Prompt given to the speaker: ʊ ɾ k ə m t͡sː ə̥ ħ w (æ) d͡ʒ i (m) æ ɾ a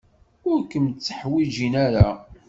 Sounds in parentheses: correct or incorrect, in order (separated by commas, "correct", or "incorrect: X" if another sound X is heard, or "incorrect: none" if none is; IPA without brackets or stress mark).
incorrect: i, incorrect: n